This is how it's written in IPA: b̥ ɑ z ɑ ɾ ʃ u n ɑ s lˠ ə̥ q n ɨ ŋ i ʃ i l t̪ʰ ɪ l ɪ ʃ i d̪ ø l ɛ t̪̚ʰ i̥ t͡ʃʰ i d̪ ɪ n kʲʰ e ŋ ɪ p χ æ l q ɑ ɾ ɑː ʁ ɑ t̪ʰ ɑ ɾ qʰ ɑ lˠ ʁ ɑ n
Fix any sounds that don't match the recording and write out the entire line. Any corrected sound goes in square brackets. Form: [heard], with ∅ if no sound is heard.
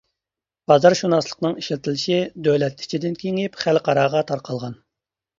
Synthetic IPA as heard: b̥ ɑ z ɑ ɾ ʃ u n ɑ s lˠ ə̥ q n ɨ ŋ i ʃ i l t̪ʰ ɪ l ɪ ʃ i d̪ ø l ɛ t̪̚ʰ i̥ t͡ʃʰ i d̪ ɪ n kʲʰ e ŋ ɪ p χ æ l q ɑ ɾ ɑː ʁ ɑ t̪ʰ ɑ ɾ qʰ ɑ lˠ ʁ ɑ n